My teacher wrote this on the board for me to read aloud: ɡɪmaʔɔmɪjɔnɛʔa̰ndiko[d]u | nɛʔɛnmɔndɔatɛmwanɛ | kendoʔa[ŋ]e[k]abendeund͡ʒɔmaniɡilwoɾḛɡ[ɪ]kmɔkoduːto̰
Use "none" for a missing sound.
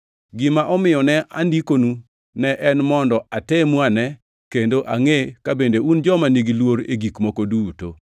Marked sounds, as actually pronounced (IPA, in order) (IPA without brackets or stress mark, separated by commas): n, ŋ, k, i